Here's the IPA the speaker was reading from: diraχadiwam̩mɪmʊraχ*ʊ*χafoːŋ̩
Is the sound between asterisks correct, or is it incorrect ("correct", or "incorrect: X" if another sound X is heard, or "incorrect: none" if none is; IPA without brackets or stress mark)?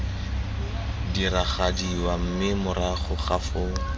correct